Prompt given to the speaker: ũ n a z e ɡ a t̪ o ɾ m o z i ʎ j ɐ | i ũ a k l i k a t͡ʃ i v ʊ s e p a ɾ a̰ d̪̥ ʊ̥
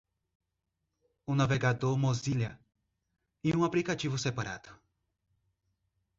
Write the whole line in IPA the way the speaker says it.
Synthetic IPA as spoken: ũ n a v e ɡ a d̪ o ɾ m o z i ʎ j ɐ | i ũ a p l i k a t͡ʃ i v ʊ s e p a ɾ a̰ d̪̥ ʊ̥